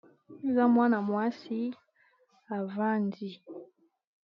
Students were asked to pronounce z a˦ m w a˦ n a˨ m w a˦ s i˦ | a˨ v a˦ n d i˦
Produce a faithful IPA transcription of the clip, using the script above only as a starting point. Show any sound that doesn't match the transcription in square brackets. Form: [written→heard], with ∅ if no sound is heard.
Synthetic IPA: z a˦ m w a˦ n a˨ m w a˦ s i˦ | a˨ v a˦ n d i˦